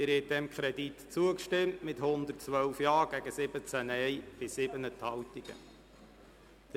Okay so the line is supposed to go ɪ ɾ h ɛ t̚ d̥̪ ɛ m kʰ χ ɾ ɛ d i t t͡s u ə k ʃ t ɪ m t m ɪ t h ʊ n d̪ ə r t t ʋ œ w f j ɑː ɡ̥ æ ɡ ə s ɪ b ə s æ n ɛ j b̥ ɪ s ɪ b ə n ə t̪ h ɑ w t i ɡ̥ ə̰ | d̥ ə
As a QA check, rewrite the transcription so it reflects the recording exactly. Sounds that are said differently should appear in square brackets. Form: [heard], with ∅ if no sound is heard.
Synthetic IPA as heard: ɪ ɾ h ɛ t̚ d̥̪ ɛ m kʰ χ ɾ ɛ d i t t͡s u ə k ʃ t ɪ m t m ɪ t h ʊ n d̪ ə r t [t͡s] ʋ œ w f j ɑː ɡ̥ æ ɡ ə s ɪ b ə [t͡s] æ n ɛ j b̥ ɪ s ɪ b ə n ə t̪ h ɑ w t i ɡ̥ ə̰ | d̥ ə